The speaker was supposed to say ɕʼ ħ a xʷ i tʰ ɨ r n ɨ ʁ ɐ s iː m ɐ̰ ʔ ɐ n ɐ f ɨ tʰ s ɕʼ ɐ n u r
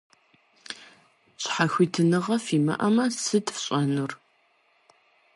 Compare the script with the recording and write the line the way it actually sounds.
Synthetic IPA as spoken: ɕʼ ħ a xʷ i tʰ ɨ n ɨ ʁ ɐ f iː m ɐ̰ ʔ ɐ m ɐ s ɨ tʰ f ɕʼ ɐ n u r

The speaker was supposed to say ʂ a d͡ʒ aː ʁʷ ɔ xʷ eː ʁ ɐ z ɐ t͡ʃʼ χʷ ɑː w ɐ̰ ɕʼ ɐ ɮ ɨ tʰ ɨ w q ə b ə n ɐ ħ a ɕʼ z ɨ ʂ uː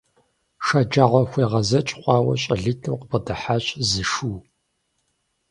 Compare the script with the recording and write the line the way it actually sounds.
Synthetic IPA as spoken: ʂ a d͡ʒ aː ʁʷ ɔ xʷ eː ʁ ɐ z ɐ t͡ʃʼ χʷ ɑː w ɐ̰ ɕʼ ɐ ɮ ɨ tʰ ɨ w q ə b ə d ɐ ħ a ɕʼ z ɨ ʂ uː

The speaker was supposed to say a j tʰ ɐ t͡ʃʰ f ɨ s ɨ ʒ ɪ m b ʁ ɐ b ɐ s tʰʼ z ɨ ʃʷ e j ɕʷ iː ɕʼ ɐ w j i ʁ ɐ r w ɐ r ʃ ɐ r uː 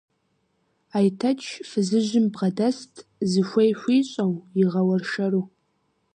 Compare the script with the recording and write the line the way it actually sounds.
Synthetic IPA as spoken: a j tʰ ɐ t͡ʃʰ f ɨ z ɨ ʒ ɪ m b ʁ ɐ d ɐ s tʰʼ z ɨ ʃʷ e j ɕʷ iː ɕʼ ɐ w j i ʁ ɐ w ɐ r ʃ ɐ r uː

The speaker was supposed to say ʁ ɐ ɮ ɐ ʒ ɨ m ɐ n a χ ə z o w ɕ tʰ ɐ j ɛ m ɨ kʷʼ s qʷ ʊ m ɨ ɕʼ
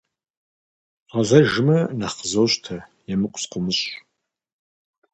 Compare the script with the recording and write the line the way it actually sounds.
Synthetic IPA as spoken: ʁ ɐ ɮ ɐ ʒ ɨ m ɐ n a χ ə z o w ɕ tʰ ɐ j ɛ m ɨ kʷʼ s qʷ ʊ m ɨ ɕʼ

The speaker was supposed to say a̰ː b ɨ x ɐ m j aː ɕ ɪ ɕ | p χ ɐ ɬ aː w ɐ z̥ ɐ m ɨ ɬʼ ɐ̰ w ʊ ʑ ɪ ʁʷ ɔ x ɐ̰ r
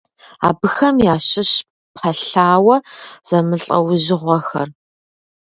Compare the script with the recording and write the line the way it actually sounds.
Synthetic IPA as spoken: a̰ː b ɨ x ɐ m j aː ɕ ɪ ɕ | p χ ɐ ɬ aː w ɐ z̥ ɐ m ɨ ɬʼ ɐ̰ w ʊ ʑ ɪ ʁʷ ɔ x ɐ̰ r

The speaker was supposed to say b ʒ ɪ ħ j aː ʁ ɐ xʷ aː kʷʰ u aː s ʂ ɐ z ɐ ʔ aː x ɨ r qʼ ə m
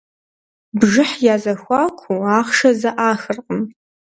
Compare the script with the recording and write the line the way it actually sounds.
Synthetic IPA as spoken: b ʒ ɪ ħ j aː z ɐ xʷ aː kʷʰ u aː χ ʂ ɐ z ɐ ʔ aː x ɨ r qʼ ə m

